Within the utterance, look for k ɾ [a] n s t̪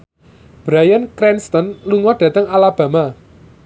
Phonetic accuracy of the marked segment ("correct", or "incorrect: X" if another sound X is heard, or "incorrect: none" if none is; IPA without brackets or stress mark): incorrect: ɛ